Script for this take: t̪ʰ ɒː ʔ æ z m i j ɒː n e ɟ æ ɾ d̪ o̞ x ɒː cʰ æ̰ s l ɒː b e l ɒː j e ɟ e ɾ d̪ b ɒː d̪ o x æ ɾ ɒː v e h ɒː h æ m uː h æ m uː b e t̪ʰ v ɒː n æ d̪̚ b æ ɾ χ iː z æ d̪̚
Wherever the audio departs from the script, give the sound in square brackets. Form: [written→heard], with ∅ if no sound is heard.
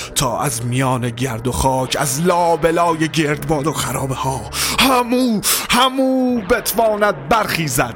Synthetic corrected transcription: t̪ʰ ɒː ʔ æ z m i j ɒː n e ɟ æ ɾ d̪ o̞ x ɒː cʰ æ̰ [s→z] l ɒː b e l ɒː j e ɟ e ɾ d̪ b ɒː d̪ o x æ ɾ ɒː [v→b] e h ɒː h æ m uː h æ m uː b e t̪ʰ v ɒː n æ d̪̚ b æ ɾ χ iː z æ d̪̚